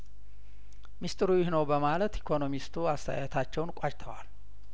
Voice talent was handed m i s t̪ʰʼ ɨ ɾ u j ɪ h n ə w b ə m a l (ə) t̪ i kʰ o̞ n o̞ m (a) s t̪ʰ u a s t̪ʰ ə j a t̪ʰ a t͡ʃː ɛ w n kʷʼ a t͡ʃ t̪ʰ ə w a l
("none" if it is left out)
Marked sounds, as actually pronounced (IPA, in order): ə, i

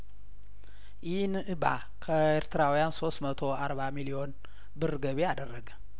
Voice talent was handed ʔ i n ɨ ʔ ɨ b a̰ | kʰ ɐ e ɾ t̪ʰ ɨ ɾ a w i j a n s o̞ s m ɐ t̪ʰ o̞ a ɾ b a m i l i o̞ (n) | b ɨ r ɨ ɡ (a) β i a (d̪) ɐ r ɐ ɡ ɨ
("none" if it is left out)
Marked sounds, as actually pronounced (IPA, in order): n, ɐ, d̪

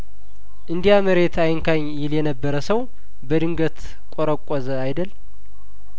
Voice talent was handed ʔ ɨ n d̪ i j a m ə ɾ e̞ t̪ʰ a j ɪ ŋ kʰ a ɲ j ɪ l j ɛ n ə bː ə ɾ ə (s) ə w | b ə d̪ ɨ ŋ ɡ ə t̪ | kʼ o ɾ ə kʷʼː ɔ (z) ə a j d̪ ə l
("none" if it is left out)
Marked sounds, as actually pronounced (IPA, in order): s, z

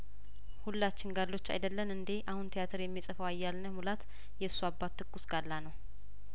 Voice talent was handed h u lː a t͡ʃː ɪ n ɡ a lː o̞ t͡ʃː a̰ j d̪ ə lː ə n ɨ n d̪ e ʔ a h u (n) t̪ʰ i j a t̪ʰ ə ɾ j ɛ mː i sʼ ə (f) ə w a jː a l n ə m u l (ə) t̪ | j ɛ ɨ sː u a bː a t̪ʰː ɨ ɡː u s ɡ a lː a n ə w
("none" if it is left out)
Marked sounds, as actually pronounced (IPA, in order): n, f, a

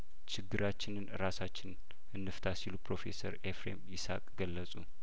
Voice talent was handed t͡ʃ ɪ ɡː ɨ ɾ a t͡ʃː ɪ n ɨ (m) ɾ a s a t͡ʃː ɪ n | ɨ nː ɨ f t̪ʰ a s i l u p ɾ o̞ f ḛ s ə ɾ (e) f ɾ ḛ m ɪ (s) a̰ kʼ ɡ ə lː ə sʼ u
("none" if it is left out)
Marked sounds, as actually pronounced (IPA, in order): n, e, s

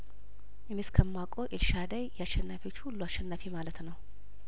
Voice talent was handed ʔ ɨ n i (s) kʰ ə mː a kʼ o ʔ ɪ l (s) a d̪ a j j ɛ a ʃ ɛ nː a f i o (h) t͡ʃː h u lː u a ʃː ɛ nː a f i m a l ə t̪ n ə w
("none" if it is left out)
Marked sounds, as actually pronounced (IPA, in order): s, ʃ, none

